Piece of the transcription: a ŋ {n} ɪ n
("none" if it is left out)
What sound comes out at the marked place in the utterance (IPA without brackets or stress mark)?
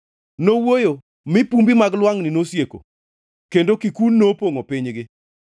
n